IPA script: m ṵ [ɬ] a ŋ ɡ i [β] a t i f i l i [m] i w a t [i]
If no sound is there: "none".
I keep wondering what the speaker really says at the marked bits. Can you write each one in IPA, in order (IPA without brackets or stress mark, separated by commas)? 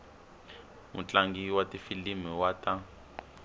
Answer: t͡ɬ, w, m, a